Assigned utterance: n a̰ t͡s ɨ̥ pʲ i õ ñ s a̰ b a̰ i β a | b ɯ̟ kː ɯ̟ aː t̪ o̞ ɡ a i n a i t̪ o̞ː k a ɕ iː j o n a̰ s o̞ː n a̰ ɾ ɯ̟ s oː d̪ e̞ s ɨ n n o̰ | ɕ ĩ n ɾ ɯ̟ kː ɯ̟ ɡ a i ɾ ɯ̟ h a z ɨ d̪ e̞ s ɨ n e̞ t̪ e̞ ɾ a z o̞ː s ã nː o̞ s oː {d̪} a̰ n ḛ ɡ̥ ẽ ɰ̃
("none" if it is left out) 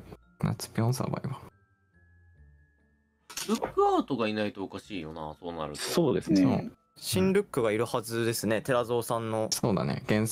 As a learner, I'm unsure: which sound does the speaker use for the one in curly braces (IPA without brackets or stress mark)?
d̪